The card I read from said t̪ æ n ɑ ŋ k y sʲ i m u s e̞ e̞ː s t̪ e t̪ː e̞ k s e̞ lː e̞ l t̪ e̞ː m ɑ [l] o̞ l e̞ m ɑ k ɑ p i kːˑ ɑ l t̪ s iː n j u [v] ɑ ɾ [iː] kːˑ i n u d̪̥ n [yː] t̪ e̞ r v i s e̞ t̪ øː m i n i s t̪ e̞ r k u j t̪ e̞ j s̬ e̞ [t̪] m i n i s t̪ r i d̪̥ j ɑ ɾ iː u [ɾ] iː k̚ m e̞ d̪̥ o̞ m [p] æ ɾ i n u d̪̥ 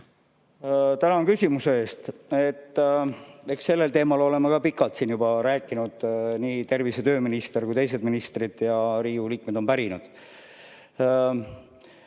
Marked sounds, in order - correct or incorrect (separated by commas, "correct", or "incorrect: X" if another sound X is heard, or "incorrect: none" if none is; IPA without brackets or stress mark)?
correct, incorrect: b, incorrect: æː, incorrect: iː, incorrect: d̪, incorrect: l, correct